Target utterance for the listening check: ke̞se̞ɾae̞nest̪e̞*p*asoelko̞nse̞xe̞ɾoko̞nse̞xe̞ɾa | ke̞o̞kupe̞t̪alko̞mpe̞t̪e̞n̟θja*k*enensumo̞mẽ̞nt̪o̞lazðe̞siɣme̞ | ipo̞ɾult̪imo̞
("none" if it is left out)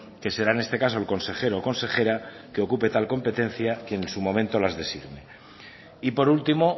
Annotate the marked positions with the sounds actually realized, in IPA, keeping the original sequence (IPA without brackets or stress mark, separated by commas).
k, k